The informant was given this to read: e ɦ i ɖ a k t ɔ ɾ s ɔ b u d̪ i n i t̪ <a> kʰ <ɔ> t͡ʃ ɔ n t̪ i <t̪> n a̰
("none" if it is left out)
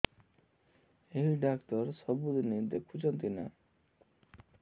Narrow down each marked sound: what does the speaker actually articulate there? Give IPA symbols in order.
e, u, none

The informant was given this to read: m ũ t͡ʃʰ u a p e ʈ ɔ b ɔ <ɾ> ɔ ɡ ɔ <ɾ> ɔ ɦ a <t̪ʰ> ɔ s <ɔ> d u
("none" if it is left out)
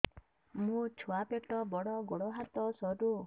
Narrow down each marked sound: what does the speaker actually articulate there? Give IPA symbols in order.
ɽ, ɽ, t̪, ɔ

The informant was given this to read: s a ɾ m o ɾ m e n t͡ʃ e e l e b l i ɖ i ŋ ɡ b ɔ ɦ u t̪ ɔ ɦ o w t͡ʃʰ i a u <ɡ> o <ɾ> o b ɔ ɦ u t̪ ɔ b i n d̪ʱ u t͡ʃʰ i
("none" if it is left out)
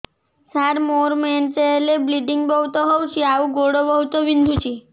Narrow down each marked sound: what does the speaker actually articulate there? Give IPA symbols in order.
ɡ, ɽ

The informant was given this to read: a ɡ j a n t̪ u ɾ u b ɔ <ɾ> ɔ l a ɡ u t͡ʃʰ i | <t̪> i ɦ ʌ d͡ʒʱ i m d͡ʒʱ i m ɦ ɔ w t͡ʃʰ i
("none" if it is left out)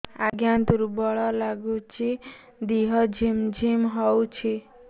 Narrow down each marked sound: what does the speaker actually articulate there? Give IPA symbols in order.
ɭ, d̪

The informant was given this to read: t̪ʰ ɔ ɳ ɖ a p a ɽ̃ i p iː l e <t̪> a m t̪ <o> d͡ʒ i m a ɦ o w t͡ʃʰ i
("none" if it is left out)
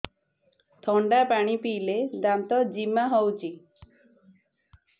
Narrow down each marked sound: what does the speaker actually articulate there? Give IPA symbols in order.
d̪, ɔ

